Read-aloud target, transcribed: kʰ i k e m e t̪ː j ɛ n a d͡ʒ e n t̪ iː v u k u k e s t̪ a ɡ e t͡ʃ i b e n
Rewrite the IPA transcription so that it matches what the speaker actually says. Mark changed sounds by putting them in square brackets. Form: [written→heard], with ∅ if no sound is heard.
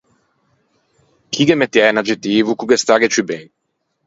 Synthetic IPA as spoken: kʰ i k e m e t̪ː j ɛ n a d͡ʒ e [n→∅] t̪ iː v u k u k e s t̪ a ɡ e t͡ʃ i b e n

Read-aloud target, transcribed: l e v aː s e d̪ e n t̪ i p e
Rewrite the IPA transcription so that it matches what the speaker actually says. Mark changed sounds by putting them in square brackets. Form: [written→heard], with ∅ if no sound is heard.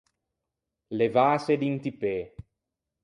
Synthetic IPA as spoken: l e v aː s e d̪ [e→i] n t̪ i p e

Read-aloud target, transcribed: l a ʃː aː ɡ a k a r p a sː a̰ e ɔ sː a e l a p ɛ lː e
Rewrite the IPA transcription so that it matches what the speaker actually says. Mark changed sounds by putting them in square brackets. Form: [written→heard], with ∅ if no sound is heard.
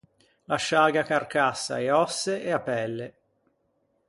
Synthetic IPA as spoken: l a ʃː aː ɡ a k a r [p→k] a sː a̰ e ɔ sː [a→e] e [l→∅] a p ɛ lː e

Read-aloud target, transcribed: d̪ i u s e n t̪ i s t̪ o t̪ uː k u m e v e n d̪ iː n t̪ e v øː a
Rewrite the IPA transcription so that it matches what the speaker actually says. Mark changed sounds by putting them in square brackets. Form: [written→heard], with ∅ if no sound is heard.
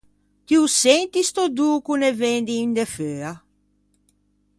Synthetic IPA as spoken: [d̪→t̪] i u s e n t̪ i s t̪ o [t̪→d̪] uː k u [m→n] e v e n d̪ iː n [t̪→d̪] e [v→f] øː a

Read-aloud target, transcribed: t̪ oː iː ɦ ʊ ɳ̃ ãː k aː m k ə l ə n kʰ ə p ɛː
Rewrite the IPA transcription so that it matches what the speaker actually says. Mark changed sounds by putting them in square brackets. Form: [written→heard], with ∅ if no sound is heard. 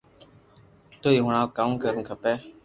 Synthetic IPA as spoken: t̪ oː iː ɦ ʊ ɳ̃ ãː k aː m k ə [l→ɾ] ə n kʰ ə p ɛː

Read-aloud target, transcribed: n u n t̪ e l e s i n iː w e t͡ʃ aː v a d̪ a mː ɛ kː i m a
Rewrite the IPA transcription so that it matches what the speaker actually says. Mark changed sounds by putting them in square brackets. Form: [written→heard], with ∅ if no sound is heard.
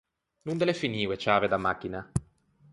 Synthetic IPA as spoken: n u n [t̪→d̪] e l e [s→f] i n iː w e t͡ʃ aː v [a→e] d̪ a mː [ɛ→a] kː i [m→n] a

